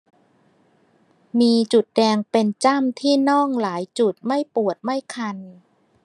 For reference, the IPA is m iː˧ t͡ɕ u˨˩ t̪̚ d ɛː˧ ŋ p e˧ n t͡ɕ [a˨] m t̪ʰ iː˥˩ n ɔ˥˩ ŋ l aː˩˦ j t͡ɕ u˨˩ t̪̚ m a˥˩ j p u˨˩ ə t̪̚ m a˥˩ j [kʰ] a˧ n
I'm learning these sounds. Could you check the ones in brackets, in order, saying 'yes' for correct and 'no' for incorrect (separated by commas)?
no, yes